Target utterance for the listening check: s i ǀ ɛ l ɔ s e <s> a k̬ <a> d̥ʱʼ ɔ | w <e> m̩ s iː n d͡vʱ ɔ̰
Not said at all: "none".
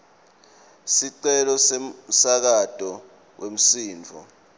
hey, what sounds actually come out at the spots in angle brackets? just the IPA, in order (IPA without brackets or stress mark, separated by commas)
s, a, e